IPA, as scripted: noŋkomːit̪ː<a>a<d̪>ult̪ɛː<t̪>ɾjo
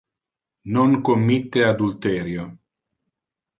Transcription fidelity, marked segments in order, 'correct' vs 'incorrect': incorrect: e, correct, incorrect: none

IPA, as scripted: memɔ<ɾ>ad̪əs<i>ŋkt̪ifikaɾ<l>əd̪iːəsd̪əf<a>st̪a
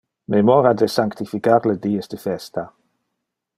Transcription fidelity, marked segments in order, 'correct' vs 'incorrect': correct, incorrect: a, correct, incorrect: ɛ

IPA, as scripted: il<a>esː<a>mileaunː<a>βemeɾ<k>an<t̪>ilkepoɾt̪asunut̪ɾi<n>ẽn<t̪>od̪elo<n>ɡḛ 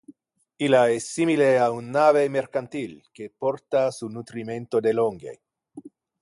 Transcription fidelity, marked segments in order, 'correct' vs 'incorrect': correct, incorrect: i, correct, correct, correct, incorrect: m, correct, incorrect: ŋ

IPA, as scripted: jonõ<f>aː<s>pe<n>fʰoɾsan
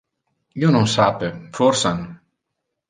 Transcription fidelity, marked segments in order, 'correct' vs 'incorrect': incorrect: s, incorrect: none, incorrect: none

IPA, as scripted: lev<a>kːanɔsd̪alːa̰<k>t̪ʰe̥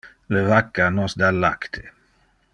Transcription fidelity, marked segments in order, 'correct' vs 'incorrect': correct, correct

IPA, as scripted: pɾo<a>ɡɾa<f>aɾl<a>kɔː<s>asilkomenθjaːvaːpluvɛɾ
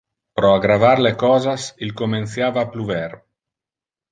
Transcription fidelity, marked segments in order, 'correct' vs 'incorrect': correct, incorrect: v, incorrect: e, incorrect: z

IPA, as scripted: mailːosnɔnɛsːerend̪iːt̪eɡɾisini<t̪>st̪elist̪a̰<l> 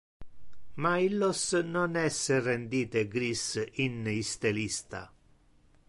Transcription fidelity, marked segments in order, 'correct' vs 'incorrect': incorrect: none, incorrect: none

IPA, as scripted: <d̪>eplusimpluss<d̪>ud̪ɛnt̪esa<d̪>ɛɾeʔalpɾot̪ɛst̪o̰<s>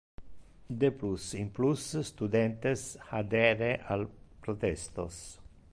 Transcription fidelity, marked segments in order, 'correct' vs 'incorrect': correct, incorrect: t̪, correct, correct

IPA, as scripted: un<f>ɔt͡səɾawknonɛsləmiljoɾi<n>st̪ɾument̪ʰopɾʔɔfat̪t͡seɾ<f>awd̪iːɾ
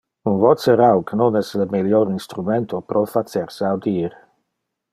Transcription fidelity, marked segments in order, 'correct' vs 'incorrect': incorrect: v, correct, incorrect: s

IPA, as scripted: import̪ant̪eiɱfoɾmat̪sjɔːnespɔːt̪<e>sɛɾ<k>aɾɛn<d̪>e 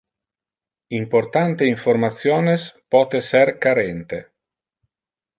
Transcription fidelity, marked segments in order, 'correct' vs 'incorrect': correct, correct, incorrect: t̪

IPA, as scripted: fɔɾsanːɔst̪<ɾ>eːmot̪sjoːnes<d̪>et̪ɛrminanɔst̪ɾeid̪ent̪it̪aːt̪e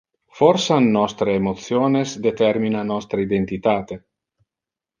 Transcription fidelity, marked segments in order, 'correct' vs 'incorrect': correct, correct

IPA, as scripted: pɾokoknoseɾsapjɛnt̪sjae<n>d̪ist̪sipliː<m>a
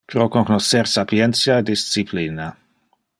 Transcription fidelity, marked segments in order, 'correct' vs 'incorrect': incorrect: none, incorrect: n

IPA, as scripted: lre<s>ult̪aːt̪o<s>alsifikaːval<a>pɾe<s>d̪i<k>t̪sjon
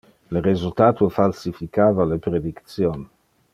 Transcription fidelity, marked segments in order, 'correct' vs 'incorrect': incorrect: z, incorrect: f, incorrect: e, incorrect: none, correct

